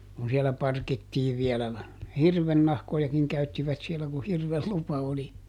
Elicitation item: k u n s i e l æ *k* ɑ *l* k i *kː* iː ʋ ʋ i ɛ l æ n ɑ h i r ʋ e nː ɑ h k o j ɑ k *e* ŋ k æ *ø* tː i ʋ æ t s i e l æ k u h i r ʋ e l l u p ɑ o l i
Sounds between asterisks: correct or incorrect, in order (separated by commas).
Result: incorrect, incorrect, incorrect, incorrect, incorrect